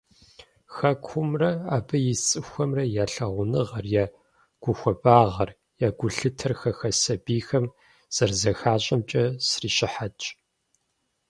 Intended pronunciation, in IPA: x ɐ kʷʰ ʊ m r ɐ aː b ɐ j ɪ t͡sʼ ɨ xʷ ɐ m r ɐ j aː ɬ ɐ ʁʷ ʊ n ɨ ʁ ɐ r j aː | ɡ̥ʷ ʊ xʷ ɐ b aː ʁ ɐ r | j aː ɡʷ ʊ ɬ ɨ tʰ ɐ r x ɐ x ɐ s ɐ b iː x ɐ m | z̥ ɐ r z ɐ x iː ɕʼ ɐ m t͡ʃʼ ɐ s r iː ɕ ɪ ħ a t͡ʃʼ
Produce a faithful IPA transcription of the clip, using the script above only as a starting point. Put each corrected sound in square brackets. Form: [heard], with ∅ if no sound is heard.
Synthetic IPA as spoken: x ɐ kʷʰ ʊ m r ɐ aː b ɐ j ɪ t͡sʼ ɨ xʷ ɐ m r ɐ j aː ɬ ɐ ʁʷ ʊ n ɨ ʁ ɐ r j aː | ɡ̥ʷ ʊ xʷ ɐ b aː ʁ ɐ r | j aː ɡʷ ʊ ɬ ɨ tʰ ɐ r x ɐ x ɐ s ɐ b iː x ɐ m | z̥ ɐ r z ɐ x [aː] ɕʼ ɐ m t͡ʃʼ ɐ s r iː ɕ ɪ ħ a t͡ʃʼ